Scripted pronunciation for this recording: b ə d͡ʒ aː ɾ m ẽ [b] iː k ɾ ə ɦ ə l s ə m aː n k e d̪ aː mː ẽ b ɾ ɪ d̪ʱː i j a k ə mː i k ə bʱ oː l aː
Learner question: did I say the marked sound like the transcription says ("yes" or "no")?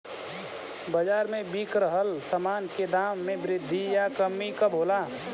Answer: yes